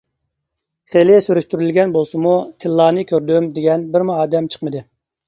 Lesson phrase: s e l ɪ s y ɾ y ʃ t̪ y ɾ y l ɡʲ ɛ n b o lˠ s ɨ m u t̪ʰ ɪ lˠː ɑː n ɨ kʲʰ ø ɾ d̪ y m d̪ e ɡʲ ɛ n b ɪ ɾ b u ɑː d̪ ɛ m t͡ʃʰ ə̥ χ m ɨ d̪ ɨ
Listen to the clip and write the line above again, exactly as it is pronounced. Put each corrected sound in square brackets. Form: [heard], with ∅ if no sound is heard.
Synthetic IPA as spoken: [χ] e l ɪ s y ɾ y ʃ t̪ y ɾ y l ɡʲ ɛ n b o lˠ s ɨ m u t̪ʰ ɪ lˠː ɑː n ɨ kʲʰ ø ɾ d̪ y m d̪ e ɡʲ ɛ n b ɪ ɾ [m] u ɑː d̪ ɛ m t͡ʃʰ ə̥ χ m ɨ d̪ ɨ